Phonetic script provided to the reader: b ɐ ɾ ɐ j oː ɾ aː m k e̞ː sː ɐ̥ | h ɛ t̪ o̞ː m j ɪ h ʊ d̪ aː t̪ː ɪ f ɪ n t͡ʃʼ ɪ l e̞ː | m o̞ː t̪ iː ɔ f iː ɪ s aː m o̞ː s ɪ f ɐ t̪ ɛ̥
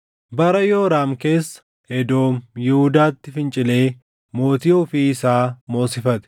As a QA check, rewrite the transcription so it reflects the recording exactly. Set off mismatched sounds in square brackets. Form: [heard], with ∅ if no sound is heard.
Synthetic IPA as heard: b ɐ ɾ ɐ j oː ɾ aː m k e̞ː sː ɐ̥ | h ɛ [d̪] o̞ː m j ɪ h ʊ d̪ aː t̪ː ɪ f ɪ n t͡ʃʼ ɪ l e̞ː | m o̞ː t̪ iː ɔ f iː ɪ s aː m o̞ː s ɪ f ɐ t̪ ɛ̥